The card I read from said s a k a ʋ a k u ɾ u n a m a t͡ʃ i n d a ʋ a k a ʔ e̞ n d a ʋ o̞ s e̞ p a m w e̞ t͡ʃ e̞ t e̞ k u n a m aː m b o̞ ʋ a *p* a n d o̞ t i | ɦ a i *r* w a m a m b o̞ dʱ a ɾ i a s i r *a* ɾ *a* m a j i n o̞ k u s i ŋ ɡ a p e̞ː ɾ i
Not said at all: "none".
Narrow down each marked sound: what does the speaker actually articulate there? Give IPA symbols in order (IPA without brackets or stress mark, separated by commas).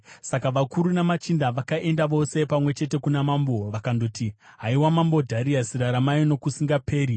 k, none, a, a